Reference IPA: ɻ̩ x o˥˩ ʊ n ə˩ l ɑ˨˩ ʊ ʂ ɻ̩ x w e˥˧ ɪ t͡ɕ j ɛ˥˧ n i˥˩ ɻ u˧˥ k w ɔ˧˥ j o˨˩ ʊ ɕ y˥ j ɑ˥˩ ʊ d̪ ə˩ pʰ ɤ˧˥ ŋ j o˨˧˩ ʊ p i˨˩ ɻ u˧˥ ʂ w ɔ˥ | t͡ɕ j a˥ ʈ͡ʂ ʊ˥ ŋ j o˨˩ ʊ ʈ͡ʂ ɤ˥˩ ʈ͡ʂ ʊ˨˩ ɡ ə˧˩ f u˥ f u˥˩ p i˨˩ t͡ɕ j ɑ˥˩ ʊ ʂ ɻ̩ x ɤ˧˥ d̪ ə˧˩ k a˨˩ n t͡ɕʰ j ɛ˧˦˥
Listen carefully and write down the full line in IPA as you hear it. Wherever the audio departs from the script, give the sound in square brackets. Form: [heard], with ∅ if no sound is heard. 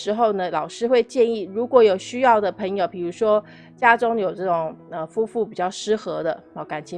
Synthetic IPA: ɻ̩ x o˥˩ ʊ n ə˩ l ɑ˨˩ ʊ ʂ ɻ̩ x w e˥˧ ɪ t͡ɕ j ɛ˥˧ n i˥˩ ɻ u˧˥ k w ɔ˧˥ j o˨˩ ʊ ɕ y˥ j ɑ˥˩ ʊ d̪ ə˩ pʰ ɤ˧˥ ŋ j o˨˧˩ ʊ p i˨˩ ɻ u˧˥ ʂ w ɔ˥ | t͡ɕ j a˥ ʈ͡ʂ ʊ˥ ŋ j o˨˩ ʊ ʈ͡ʂ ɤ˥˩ ʈ͡ʂ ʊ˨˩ [ŋ] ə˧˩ f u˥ f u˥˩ p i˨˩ t͡ɕ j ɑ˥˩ ʊ ʂ ɻ̩ x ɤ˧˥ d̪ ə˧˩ k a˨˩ n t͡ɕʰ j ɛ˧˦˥